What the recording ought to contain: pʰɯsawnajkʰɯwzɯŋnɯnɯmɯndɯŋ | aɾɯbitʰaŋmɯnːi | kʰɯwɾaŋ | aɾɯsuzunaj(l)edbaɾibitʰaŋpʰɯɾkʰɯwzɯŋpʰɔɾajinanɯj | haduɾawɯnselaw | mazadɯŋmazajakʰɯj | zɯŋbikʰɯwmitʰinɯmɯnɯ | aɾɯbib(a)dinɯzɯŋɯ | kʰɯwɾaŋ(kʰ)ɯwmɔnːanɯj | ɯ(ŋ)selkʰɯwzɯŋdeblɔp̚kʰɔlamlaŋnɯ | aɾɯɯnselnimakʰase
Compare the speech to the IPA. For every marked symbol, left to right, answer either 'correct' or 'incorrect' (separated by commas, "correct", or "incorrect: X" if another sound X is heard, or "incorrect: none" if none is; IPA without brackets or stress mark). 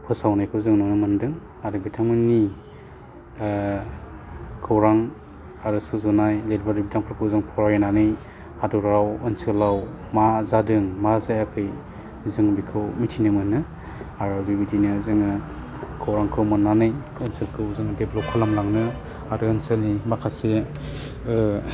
correct, incorrect: i, correct, incorrect: n